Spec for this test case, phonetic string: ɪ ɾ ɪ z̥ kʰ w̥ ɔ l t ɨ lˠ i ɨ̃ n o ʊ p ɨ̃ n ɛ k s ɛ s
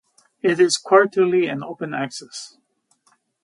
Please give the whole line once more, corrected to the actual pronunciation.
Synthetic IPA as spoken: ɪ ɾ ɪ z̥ kʰ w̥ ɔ ɹ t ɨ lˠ i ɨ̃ n o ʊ p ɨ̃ n æ k s ɛ s